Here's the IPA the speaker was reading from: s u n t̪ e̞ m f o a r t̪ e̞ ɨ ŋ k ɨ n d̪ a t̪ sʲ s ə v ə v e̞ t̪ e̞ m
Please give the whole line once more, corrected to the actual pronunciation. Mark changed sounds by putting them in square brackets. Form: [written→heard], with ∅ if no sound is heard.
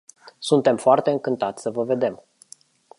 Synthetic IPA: s u n t̪ e̞ m f o a r t̪ e̞ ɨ ŋ k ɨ n [d̪→t̪] a t̪ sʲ s ə v ə v e̞ [t̪→d̪] e̞ m